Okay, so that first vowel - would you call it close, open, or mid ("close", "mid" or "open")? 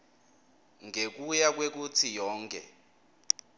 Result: mid